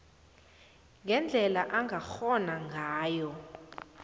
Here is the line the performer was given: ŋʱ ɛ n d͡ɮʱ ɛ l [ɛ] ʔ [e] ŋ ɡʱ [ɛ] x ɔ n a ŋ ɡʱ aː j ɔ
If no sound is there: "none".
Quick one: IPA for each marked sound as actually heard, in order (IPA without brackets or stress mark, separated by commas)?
a, a, a